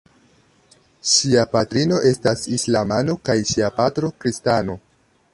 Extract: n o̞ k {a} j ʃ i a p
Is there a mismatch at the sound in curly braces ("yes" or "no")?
no